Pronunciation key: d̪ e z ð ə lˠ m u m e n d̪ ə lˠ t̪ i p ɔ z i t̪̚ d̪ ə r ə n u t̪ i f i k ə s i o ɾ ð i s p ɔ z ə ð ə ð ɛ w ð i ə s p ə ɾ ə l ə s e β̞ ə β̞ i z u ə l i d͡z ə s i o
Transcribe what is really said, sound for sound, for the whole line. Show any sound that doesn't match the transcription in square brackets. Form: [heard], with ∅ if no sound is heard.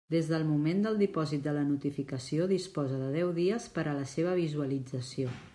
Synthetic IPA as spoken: d̪ e z ð ə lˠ m u m e n d̪ ə lˠ [d̪] i p ɔ z i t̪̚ d̪ ə [l] ə n u t̪ i f i k ə s i o [∅] ð i s p ɔ z ə ð ə ð ɛ w ð i ə s p ə ɾ ə l ə s e β̞ ə β̞ i z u ə l i d͡z ə s i o